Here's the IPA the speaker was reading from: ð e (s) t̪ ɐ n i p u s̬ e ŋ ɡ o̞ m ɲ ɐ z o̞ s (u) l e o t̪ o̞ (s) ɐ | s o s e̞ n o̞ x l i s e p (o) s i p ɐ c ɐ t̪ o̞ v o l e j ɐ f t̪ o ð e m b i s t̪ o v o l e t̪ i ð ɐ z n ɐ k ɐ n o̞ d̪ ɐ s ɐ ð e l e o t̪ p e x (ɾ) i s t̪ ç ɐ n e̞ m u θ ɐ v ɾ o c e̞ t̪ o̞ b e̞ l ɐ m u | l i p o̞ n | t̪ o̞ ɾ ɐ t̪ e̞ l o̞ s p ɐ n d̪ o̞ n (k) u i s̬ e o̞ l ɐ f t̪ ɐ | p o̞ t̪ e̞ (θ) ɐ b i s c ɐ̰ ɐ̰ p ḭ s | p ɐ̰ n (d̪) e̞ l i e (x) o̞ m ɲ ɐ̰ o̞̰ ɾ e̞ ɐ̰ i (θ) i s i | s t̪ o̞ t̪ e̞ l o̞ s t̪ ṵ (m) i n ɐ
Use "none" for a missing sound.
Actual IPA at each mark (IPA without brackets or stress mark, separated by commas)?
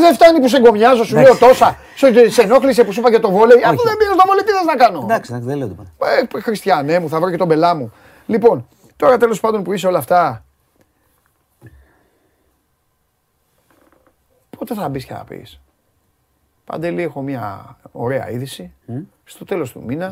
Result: f, u, s, u, ɾ, p, θ, d̪, x, ð, m